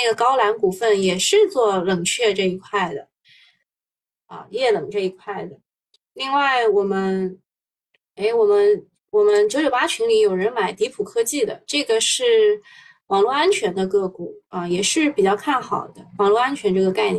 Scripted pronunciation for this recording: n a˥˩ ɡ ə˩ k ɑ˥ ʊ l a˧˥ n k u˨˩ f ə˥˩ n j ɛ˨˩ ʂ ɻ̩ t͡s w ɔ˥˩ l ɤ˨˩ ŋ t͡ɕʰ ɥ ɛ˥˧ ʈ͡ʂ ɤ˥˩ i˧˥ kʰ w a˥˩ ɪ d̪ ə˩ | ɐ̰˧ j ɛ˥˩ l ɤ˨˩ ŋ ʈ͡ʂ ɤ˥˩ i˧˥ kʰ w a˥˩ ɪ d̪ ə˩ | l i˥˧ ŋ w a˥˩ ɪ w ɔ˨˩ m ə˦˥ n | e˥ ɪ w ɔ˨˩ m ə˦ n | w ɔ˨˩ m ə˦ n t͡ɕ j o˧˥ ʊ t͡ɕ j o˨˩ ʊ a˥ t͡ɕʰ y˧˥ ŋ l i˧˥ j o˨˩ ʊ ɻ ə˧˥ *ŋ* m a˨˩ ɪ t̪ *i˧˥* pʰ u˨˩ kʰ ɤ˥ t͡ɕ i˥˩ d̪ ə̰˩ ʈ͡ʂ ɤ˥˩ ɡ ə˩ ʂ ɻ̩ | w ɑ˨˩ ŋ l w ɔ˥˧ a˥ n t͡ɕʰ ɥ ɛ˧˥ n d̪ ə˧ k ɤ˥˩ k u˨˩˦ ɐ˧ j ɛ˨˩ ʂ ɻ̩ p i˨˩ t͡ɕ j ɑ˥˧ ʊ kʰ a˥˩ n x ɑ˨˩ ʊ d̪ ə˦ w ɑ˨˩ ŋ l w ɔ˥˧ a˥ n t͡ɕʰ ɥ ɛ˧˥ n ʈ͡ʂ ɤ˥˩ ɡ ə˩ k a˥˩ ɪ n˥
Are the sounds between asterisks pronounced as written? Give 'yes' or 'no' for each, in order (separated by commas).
no, yes